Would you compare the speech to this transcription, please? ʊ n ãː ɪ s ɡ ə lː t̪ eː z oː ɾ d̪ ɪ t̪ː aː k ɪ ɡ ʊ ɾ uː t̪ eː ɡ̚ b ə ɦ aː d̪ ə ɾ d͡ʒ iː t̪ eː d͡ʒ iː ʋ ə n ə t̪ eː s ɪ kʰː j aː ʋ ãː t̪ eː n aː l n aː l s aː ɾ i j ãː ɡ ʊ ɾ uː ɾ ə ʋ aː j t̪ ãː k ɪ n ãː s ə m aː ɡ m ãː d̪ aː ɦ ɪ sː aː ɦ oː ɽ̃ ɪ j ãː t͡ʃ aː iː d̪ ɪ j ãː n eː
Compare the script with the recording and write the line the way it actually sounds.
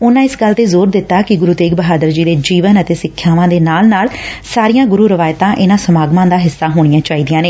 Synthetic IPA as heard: ʊ n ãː ɪ s ɡ ə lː t̪ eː z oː ɾ d̪ ɪ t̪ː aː k ɪ ɡ ʊ ɾ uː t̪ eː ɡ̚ b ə ɦ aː d̪ ə ɾ d͡ʒ iː d̪ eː d͡ʒ iː ʋ ə n ə t̪ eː s ɪ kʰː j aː ʋ ãː d̪ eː n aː l n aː l s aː ɾ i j ãː ɡ ʊ ɾ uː ɾ ə ʋ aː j t̪ ãː ʔ ɪ n ãː s ə m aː ɡ m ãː d̪ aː ɦ ɪ sː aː ɦ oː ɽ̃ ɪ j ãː t͡ʃ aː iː d̪ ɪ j ãː n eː